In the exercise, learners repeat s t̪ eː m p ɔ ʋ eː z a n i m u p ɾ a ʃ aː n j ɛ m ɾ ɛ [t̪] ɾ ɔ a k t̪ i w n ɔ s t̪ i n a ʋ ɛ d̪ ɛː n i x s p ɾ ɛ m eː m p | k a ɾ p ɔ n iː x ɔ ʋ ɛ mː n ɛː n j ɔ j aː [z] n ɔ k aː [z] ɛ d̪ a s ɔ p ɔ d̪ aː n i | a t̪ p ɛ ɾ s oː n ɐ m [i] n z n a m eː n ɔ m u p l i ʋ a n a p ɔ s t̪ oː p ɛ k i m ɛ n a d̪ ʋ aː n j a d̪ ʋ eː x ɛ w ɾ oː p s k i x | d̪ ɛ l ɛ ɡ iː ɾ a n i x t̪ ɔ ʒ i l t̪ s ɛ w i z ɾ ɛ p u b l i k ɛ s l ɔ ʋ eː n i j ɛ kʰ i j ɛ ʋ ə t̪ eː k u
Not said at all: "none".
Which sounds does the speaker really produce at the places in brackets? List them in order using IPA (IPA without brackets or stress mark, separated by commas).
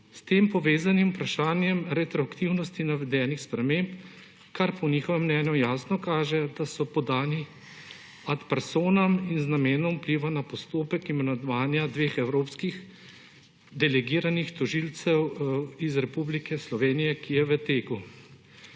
t̪, s, ʒ, i